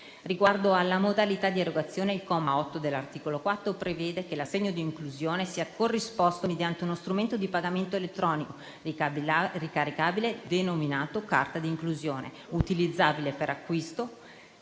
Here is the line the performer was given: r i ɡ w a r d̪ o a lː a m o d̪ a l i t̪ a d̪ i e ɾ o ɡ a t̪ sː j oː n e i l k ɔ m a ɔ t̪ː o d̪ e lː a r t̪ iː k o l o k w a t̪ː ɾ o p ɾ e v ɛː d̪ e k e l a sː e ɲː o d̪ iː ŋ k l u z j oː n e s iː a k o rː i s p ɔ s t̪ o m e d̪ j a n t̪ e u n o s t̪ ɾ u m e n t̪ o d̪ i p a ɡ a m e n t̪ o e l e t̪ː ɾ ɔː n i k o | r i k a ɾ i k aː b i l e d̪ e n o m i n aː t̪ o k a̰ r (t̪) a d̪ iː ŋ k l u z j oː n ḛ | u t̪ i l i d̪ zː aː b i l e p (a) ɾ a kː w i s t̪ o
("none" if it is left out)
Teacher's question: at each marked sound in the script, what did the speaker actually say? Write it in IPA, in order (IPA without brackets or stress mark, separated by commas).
t̪, e